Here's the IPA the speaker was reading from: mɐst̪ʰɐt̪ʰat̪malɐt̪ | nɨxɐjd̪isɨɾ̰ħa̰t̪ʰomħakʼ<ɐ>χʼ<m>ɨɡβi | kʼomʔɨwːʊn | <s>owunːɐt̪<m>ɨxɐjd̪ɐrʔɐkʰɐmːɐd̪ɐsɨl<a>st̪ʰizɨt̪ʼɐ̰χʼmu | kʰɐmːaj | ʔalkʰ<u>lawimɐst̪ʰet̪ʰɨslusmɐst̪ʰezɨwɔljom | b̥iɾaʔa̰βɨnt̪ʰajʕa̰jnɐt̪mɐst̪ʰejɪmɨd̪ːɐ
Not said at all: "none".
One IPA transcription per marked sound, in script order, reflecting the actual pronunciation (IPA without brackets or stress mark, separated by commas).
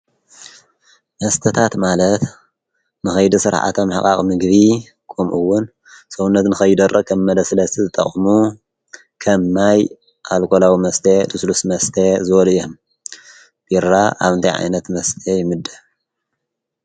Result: a, m, s, n, ɐ, o